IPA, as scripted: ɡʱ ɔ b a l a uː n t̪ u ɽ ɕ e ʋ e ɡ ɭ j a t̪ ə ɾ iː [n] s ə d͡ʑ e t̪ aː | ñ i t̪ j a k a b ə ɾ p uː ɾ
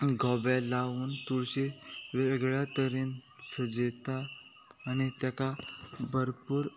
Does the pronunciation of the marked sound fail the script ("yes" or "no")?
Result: no